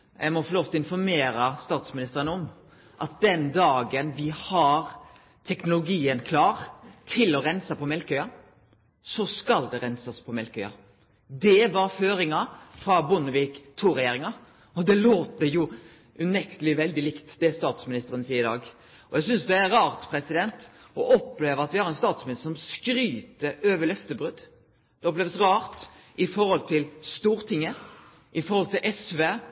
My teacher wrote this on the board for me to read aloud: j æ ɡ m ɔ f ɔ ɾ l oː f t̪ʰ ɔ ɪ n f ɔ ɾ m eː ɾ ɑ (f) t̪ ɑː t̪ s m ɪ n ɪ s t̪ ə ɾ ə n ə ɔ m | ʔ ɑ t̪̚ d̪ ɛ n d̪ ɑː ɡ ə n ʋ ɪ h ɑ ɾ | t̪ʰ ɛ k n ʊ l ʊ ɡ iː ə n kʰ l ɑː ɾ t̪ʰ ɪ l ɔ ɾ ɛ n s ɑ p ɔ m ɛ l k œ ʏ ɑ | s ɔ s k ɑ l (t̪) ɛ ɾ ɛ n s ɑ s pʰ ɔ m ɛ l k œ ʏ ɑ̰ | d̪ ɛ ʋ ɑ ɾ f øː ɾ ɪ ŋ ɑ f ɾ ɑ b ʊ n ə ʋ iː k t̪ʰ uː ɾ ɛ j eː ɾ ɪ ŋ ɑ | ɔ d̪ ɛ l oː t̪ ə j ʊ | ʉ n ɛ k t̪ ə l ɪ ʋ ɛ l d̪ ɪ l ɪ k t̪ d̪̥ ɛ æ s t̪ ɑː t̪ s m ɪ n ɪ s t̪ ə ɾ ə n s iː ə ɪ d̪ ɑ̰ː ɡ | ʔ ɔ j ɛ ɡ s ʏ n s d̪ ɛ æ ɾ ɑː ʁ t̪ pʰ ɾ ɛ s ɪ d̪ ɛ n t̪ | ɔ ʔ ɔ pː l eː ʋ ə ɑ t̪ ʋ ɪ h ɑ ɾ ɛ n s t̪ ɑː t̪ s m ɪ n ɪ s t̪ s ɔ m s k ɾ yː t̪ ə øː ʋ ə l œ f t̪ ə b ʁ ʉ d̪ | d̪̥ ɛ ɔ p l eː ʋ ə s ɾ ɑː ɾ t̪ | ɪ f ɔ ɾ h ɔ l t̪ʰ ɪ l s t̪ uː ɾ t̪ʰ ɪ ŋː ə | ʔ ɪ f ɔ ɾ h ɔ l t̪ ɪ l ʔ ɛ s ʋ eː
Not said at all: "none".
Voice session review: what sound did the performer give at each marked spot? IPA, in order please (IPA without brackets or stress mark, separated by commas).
s, d̪